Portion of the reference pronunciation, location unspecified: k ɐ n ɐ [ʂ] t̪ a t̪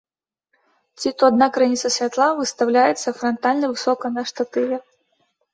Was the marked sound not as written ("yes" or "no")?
no